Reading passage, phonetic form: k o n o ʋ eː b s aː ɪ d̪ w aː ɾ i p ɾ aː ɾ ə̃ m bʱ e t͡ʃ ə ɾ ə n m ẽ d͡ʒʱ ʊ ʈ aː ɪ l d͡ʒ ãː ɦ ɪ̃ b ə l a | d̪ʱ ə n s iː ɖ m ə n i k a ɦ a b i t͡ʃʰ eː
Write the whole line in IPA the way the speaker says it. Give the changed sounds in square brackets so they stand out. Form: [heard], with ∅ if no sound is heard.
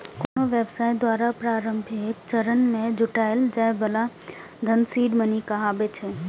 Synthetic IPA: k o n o ʋ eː b s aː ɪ d̪ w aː ɾ [a] p ɾ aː ɾ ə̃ m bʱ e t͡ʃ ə ɾ ə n m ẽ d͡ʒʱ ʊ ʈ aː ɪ l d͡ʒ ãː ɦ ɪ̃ b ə l a | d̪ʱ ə n s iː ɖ m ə n i k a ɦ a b [e] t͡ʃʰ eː